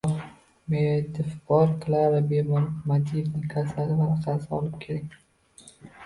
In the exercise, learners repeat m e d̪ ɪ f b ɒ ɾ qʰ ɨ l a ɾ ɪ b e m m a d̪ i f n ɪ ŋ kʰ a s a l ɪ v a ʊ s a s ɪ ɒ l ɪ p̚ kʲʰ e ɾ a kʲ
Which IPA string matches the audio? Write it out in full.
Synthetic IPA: m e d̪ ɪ f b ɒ ɾ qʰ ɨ l a ɾ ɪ b e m m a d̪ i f n ɪ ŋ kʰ a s a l ɪ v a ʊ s a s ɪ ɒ l ɪ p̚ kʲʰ e ɾ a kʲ